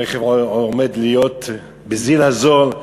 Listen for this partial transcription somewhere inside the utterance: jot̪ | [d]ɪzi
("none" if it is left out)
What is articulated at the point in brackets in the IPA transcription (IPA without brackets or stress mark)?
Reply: b